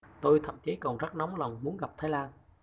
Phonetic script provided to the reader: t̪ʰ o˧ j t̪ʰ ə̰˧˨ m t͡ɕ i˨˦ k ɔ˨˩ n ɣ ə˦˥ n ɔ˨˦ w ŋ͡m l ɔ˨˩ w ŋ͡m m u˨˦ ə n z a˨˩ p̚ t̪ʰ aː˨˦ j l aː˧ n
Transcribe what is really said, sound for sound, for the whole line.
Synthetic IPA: t̪ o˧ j t̪ʰ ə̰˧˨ m t͡ɕ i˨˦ k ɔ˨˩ n z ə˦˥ n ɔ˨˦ w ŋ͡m l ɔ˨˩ w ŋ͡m m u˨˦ ə n ɣ a˨˩ p̚ t̪ʰ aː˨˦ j l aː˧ n